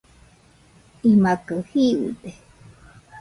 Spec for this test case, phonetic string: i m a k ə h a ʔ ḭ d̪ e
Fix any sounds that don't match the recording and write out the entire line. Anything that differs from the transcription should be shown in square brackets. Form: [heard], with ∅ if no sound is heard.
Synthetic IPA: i m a k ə h [i] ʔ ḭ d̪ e